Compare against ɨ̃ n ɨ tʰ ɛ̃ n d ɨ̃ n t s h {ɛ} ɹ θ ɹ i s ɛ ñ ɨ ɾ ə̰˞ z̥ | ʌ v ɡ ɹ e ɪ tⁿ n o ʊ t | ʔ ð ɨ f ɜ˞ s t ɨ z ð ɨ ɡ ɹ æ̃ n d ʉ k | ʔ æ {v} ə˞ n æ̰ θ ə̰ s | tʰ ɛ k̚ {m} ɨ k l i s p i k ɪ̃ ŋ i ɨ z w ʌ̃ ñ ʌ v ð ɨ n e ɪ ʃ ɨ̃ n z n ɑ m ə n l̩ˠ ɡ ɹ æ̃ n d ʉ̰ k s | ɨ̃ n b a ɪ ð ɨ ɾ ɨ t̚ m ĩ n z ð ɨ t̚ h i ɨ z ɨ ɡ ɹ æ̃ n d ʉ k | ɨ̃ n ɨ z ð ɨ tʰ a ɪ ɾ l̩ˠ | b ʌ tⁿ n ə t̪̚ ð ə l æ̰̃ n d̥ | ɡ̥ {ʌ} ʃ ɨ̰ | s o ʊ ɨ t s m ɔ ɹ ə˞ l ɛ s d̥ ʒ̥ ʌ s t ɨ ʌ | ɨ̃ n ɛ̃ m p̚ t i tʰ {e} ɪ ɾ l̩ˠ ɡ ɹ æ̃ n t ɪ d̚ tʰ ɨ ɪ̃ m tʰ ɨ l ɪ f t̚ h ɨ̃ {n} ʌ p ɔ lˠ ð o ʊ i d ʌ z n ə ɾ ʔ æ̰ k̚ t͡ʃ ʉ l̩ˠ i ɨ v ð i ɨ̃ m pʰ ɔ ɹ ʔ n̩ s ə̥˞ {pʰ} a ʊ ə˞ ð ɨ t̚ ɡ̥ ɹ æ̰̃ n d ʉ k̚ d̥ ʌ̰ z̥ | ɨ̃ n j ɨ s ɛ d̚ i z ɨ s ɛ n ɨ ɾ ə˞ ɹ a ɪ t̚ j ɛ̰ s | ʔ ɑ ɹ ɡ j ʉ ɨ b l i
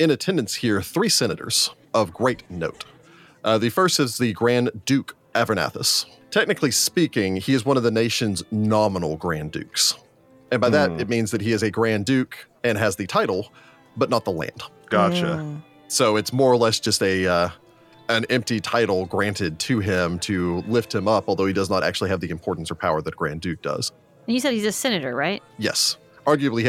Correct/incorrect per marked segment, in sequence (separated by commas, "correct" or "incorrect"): incorrect, correct, incorrect, incorrect, incorrect, incorrect, correct